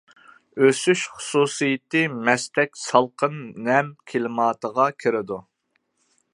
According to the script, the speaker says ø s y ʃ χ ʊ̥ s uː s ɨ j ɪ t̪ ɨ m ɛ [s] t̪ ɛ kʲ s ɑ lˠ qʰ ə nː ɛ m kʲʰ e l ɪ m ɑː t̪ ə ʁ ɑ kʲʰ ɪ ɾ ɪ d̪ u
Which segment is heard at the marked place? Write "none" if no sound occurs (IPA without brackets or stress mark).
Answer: s